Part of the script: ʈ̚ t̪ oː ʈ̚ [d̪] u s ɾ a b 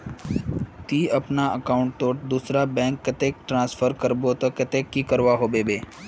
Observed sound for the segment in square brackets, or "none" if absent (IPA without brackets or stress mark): d̪